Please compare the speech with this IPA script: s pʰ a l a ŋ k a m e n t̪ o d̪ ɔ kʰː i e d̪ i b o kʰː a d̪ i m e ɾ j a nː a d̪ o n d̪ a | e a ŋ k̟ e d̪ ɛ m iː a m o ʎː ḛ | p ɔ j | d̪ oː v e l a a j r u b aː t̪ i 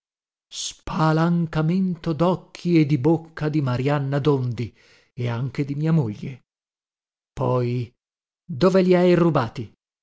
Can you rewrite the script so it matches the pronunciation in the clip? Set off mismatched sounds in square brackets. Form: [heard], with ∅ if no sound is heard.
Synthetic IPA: s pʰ a l a ŋ k a m e n t̪ o d̪ ɔ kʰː i e d̪ i b o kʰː a d̪ i m [a] ɾ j a nː a d̪ o n d̪ [i] | e a ŋ k̟ e d̪ [i] m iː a m o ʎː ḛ | p ɔ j | d̪ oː v e l [i] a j r u b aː t̪ i